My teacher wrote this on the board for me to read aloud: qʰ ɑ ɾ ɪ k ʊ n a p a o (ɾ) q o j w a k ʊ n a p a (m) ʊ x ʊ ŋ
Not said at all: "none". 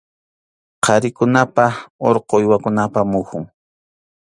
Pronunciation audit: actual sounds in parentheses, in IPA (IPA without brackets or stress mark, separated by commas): ɾ, m